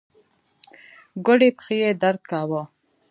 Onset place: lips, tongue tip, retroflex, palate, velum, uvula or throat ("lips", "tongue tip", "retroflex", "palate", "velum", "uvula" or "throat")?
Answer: velum